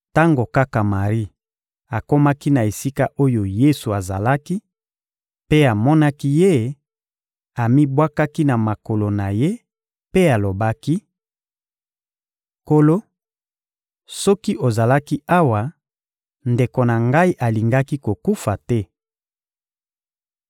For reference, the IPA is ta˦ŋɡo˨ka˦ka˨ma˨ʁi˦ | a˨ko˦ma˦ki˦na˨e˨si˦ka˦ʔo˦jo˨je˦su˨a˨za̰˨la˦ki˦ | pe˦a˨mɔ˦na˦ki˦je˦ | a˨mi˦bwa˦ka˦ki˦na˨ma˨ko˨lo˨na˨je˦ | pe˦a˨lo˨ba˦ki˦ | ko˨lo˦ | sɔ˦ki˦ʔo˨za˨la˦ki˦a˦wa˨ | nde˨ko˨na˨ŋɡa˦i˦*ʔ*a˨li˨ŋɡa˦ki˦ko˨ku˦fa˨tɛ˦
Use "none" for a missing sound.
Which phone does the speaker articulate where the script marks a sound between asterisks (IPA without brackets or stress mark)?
ʔ